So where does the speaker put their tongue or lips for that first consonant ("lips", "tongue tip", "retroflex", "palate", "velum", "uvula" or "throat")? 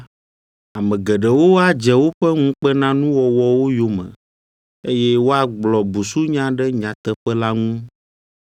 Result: lips